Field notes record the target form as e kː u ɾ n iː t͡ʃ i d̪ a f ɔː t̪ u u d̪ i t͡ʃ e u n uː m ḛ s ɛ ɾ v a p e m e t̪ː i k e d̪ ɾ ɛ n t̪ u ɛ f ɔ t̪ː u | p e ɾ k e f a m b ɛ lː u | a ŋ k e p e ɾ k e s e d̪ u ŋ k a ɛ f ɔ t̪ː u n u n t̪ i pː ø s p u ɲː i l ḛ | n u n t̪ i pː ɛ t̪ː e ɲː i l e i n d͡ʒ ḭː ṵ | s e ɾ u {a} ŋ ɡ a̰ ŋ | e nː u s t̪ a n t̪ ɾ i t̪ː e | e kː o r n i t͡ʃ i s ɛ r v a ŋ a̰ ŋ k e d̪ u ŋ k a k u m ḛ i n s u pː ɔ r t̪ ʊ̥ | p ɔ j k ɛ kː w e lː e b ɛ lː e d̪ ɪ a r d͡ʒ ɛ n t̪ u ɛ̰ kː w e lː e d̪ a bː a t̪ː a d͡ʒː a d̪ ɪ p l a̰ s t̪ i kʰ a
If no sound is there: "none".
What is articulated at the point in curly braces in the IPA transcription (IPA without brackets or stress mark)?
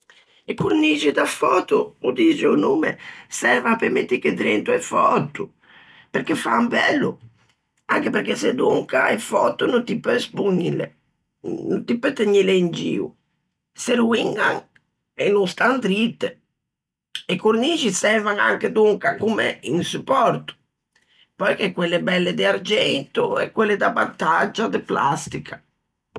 i